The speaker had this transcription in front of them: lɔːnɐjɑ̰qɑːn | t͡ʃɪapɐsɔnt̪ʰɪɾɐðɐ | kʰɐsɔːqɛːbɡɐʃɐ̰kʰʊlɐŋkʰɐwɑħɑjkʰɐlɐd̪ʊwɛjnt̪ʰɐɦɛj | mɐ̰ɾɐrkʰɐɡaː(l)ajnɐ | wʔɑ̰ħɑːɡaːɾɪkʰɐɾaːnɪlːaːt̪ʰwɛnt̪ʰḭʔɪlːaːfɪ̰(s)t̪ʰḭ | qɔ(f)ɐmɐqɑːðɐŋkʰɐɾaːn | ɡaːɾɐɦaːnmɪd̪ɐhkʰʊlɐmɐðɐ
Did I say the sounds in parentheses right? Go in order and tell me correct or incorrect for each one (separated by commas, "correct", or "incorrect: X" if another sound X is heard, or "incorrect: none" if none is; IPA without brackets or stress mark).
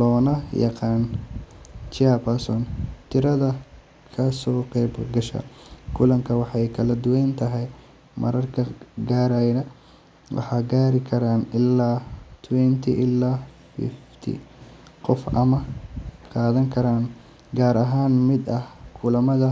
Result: incorrect: ɾ, incorrect: f, correct